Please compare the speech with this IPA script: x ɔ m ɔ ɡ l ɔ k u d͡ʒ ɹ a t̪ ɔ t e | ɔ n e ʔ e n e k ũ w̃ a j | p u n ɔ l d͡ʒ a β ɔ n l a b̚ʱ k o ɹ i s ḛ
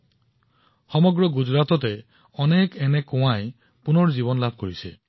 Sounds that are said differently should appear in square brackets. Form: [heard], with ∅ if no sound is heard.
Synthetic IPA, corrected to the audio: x ɔ m ɔ ɡ [ɹ] ɔ [ɡ] u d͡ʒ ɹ a t̪ ɔ t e | ɔ n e [k] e n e k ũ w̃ a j | p u n ɔ [ɹ] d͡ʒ [i] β ɔ n l a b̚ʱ k o ɹ i s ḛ

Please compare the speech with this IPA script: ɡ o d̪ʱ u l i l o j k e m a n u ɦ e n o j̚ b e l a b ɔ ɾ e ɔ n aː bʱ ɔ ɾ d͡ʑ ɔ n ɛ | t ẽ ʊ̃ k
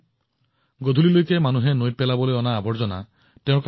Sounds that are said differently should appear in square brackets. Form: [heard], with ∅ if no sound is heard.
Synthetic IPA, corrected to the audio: ɡ o d̪ʱ u l i l o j k e m a n u ɦ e n o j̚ [p] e l a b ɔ [l] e ɔ n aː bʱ ɔ ɾ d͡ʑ ɔ n [a] | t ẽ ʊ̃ k

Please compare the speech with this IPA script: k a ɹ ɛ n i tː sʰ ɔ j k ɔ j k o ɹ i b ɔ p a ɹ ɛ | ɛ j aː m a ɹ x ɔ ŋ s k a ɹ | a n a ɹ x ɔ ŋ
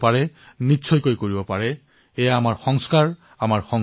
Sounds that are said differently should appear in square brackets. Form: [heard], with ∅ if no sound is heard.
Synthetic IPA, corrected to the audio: [p] a ɹ ɛ n i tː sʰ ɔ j k [o] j k o ɹ i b ɔ p a ɹ ɛ | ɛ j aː m a ɹ x ɔ ŋ s k a ɹ | a [m] a ɹ x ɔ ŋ

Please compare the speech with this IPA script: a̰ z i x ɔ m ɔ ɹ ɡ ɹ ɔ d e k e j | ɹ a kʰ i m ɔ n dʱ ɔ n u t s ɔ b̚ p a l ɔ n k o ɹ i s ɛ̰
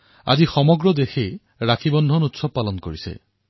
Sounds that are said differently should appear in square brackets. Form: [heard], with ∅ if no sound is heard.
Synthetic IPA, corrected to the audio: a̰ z i x ɔ m ɔ [∅] ɡ ɹ ɔ d e [x] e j | ɹ a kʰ i [b] ɔ n dʱ ɔ n u t s ɔ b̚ p a l ɔ n k o ɹ i s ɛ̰

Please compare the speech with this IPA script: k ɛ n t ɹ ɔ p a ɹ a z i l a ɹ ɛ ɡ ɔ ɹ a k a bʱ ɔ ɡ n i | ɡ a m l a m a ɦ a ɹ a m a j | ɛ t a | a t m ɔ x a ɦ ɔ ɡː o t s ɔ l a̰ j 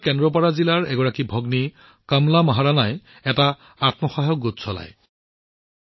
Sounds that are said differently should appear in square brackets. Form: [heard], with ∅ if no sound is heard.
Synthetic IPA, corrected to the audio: k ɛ n [d] ɹ ɔ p a ɹ a z i l a ɹ ɛ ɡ ɔ ɹ a k [i] bʱ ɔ ɡ n i | [k] a m l a m a ɦ a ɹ a [n] a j | ɛ t a | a t m ɔ x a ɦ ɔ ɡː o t s ɔ l a̰ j

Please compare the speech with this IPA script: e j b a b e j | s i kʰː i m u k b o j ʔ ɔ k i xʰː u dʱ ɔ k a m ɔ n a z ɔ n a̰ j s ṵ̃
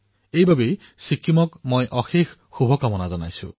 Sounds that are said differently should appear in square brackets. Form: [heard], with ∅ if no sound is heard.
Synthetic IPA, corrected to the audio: e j b a b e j | s i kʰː i m [ɔ] k [m] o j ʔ ɔ [x] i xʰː u [bʱ] ɔ k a m ɔ n a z ɔ n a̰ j s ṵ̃

